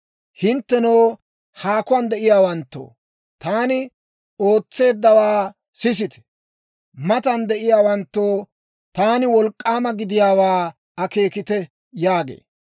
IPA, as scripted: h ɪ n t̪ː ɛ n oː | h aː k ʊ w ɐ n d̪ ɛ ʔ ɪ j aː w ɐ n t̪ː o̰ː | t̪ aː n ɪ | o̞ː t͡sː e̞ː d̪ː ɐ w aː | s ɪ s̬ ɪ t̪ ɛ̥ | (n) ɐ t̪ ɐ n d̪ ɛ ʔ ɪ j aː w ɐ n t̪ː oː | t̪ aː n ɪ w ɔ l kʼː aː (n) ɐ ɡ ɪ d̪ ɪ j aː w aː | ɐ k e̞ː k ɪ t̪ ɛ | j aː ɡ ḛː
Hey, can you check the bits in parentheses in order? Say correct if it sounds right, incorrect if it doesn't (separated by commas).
incorrect, incorrect